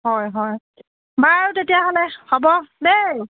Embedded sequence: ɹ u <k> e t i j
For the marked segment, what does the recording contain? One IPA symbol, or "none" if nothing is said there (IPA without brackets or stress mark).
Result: t